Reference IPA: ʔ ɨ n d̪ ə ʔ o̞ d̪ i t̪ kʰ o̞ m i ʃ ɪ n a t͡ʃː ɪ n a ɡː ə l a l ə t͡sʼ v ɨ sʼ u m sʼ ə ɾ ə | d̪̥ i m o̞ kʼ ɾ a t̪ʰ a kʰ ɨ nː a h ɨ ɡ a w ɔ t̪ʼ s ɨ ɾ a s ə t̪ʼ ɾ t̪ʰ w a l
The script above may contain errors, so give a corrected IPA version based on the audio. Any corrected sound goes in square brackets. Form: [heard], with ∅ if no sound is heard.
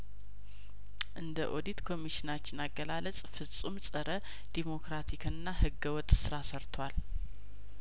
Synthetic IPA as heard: ʔ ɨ n d̪ ə ʔ o̞ d̪ i t̪ kʰ o̞ m i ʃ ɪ n a t͡ʃː ɪ n a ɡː ə l a l ə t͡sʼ [f] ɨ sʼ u m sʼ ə ɾ ə | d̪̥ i m o̞ [k] ɾ a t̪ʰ [i] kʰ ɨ nː a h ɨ ɡ [ə] w ɔ t̪ʼ s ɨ ɾ a s ə [∅] ɾ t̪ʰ w a l